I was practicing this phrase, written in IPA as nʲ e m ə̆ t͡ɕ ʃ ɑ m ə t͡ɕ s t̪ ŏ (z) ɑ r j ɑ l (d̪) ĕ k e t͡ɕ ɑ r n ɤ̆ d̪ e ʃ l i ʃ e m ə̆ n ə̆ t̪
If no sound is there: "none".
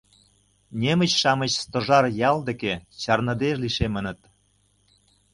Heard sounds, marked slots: ʒ, d̪

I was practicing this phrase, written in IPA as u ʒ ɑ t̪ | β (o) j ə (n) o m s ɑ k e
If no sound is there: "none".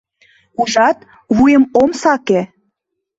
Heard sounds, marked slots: u, m

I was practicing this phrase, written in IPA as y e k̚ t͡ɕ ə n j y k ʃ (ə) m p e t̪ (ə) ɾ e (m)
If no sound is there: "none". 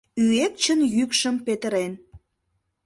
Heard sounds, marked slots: ə, ə, n

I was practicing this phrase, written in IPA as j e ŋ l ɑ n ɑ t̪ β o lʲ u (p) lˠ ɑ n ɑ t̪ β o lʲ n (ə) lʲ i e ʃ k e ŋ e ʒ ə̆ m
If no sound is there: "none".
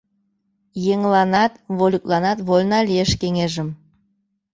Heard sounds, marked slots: k, ɑ

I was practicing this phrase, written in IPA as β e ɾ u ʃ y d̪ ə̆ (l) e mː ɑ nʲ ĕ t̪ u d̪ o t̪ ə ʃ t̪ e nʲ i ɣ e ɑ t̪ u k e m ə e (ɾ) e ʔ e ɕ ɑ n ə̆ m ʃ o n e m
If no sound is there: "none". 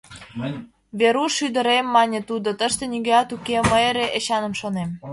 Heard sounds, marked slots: ɾ, ɾ

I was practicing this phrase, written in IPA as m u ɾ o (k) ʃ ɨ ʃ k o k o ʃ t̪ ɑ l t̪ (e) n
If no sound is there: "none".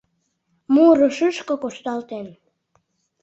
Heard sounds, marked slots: none, e

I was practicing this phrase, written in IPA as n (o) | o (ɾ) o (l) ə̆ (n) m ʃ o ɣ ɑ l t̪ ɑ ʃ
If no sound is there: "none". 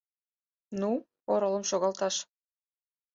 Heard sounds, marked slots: u, ɾ, l, none

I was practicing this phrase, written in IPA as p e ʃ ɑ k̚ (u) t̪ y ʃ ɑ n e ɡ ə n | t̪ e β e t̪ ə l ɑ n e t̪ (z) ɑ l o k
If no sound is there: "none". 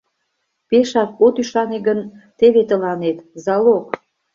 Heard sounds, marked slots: o, z

